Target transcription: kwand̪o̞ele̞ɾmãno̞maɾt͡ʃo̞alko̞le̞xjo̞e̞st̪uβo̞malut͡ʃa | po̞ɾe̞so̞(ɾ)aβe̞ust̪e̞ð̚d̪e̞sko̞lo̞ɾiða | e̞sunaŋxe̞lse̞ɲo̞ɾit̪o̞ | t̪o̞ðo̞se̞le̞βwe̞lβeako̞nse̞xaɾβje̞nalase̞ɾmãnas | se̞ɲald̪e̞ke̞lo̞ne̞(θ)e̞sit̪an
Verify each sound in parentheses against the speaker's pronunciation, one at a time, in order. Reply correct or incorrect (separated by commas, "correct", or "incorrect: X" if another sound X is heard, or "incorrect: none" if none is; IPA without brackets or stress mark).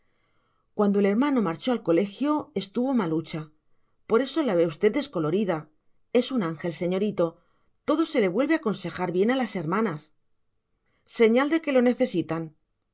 incorrect: l, correct